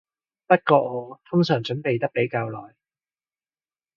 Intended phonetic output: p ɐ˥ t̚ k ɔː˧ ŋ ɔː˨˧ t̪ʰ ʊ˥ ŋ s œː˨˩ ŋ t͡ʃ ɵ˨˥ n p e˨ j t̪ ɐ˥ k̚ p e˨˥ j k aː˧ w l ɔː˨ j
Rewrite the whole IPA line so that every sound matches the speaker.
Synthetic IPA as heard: p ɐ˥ t̚ k ɔː˧ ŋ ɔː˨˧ t̪ʰ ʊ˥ ŋ s œː˨˩ ŋ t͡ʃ ɵ˨˥ n p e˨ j t̪ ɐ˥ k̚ p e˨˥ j k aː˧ w l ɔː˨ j